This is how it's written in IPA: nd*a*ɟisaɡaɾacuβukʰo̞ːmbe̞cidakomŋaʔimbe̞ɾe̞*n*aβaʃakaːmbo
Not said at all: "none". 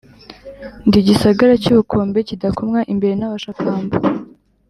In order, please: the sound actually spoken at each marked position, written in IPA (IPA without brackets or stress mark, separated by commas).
i, n